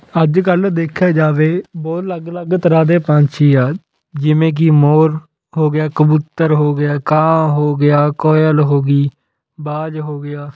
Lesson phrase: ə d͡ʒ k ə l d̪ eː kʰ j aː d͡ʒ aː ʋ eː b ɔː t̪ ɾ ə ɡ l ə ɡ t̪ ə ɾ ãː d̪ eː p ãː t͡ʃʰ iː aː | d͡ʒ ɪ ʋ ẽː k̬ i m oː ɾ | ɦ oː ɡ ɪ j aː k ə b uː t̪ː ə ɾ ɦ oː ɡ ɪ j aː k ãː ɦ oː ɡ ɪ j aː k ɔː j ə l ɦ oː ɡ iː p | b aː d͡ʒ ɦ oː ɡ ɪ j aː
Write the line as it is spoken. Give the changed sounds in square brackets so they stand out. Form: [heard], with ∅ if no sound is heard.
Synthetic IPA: ə d͡ʒ k ə l d̪ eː kʰ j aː d͡ʒ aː ʋ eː b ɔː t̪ [l] ə ɡ l ə ɡ t̪ ə ɾ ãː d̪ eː p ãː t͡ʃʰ iː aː | d͡ʒ ɪ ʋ ẽː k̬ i m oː ɾ | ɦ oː ɡ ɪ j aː k ə b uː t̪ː ə ɾ ɦ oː ɡ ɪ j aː k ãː ɦ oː ɡ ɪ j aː k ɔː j ə l ɦ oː ɡ iː [∅] | b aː d͡ʒ ɦ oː ɡ ɪ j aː